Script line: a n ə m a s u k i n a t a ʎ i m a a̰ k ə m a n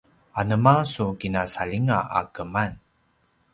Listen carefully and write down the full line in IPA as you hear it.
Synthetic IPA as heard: a n ə m a s u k i n a s a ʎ i ŋ a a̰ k ə m a n